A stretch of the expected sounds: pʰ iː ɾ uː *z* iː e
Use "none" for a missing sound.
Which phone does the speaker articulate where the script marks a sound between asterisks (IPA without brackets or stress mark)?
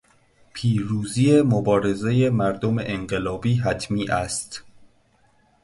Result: z